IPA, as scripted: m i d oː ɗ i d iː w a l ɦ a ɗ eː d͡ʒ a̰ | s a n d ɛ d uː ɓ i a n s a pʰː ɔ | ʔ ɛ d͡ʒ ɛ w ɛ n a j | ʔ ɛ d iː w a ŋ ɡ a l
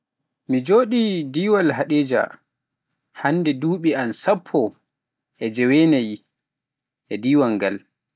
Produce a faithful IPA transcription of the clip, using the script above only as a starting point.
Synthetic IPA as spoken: m i d͡ʒ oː ɗ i d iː w a l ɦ a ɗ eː d͡ʒ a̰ | h a n d ɛ d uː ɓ i a n s a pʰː ɔ | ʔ ɛ d͡ʒ ɛ w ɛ n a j | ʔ ɛ d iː w a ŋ ɡ a l